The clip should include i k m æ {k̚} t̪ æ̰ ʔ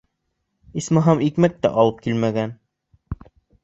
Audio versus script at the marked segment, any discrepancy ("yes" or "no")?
no